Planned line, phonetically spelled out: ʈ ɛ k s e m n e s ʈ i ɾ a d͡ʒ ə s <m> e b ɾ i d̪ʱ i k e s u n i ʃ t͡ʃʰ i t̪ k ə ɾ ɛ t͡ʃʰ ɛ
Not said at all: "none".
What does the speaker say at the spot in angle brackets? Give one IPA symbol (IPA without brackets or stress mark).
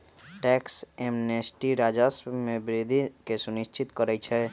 m